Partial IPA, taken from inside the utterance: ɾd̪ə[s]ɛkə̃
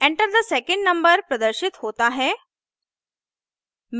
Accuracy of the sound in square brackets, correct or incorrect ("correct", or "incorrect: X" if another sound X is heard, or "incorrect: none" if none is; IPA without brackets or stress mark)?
correct